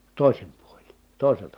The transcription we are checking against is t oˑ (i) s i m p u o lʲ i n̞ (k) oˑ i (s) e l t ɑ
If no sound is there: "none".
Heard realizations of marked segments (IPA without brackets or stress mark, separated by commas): i, t, s